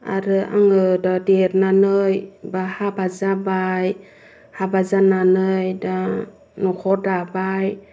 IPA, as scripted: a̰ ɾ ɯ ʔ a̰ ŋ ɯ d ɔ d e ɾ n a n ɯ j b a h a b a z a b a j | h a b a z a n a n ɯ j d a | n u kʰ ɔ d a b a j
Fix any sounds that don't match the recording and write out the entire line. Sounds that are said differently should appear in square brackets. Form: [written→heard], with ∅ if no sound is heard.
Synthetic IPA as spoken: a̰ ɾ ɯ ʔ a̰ ŋ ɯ d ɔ d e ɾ n a n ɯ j b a h a b a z a b a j | h a b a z a n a n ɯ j d a | n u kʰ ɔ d a b a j